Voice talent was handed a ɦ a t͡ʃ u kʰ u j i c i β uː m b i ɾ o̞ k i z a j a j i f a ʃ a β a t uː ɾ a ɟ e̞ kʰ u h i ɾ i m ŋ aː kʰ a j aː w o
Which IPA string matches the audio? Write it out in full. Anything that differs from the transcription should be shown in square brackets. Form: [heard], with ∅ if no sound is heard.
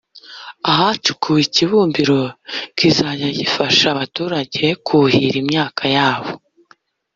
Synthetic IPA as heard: a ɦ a t͡ʃ u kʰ u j i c i β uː m b i ɾ o̞ k i z a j a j i f a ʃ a β a t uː ɾ a ɟ e̞ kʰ u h i ɾ i m [ɲ] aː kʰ a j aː [β] o